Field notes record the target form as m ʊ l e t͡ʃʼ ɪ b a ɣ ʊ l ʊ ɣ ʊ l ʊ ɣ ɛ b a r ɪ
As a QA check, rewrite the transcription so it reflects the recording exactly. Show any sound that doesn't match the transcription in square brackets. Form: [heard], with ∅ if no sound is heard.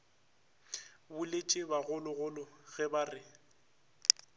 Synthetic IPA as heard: [b] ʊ l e t͡ʃʼ ɪ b a ɣ ʊ l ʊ ɣ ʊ l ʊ ɣ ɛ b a r ɪ